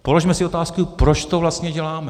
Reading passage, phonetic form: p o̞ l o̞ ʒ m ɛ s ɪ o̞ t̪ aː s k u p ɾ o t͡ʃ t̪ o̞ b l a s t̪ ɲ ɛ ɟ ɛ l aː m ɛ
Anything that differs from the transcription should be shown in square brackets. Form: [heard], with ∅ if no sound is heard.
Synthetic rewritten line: p o̞ l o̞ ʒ m ɛ s ɪ o̞ t̪ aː s k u p ɾ o t͡ʃ t̪ o̞ [v] l a s t̪ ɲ ɛ ɟ ɛ l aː m ɛ